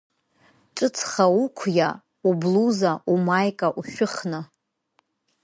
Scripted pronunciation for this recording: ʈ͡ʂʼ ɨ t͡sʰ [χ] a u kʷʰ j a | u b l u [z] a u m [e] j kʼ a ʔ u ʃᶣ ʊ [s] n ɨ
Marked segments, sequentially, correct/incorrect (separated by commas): correct, correct, incorrect, incorrect